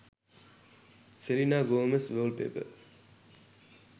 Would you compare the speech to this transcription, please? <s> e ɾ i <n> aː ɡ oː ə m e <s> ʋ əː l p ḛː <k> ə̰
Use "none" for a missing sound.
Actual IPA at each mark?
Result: s, n, s, p

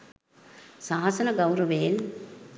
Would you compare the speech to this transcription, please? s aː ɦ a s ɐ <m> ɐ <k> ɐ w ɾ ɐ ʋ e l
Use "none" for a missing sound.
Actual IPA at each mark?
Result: n, ɡ

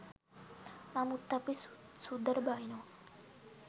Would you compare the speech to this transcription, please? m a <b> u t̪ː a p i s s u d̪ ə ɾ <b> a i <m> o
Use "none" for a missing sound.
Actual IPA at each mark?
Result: m, b, n

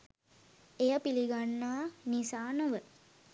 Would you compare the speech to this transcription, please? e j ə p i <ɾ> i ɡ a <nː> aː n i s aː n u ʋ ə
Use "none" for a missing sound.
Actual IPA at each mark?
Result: l, nː

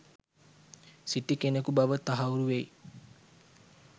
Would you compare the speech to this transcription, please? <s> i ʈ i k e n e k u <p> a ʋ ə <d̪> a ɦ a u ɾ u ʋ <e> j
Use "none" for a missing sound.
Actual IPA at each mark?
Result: s, b, t̪, e

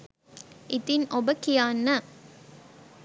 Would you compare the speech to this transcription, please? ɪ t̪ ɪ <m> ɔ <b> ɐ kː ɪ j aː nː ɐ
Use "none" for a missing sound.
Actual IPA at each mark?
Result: n, b

